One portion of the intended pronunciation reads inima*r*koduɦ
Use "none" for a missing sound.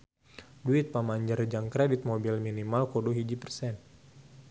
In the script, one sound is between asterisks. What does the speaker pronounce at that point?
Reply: l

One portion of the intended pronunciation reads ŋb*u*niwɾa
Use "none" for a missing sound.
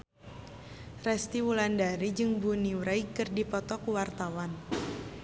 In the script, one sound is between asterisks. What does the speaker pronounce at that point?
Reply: u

